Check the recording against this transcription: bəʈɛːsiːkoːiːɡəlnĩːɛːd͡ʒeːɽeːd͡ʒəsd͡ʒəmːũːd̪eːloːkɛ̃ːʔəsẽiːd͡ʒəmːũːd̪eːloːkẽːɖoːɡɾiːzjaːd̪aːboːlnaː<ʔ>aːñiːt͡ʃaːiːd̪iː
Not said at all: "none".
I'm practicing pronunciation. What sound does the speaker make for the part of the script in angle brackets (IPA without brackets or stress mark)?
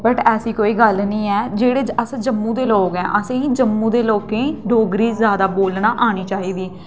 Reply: ʔ